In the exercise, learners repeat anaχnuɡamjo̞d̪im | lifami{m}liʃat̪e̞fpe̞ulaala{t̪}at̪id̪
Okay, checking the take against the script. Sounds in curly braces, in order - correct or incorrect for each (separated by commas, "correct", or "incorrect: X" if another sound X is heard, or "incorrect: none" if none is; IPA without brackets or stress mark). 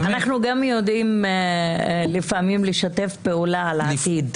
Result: correct, incorrect: none